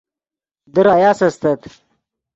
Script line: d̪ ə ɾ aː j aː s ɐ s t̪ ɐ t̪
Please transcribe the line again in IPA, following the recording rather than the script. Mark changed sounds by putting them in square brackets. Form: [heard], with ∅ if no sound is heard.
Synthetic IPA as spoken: d̪ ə ɾ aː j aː s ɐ s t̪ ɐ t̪